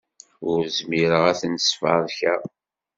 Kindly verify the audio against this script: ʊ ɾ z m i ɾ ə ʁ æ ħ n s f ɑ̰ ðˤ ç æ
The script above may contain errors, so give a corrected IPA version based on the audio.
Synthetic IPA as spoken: ʊ ɾ z m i ɾ ə ʁ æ θ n s f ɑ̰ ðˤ ç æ